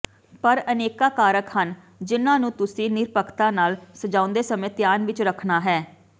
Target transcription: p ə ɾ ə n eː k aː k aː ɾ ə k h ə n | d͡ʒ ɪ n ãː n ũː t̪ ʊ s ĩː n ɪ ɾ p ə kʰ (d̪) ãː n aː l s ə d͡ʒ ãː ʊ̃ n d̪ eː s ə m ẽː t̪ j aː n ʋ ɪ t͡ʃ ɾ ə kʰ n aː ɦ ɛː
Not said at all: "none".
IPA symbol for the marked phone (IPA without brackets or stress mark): t̪